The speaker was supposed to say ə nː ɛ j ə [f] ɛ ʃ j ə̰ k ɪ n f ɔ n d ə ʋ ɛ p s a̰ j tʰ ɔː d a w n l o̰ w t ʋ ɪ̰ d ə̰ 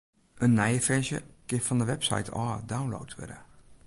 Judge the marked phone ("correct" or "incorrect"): correct